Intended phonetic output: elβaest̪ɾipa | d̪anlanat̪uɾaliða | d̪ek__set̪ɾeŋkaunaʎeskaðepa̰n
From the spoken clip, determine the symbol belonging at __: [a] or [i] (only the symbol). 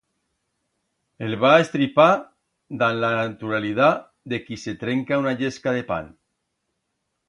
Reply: i